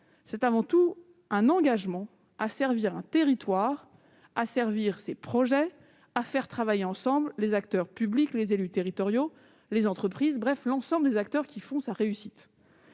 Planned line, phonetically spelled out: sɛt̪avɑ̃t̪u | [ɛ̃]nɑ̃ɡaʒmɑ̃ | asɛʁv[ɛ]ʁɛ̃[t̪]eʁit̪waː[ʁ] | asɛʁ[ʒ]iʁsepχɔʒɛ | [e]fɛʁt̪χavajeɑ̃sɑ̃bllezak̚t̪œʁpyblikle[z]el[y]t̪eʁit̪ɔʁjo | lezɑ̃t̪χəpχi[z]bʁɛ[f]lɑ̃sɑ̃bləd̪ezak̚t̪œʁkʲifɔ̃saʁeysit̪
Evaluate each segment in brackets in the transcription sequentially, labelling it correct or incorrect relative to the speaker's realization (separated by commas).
correct, incorrect, correct, correct, incorrect, incorrect, correct, correct, correct, correct